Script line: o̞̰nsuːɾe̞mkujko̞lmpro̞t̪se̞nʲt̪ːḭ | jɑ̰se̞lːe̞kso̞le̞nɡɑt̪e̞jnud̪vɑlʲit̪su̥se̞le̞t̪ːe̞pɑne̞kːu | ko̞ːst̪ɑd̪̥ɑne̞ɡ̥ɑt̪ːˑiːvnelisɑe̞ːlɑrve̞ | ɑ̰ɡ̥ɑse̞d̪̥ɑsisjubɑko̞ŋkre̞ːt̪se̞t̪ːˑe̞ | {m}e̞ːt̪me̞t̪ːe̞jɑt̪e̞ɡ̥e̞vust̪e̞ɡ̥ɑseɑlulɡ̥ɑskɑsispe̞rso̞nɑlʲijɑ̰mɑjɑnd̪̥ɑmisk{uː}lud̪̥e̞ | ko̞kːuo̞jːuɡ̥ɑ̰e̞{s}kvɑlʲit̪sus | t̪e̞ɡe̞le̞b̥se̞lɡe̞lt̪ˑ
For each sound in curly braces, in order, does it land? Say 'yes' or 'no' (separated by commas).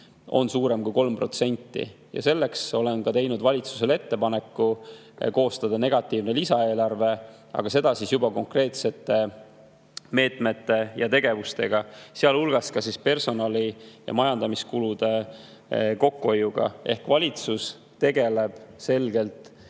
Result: yes, no, no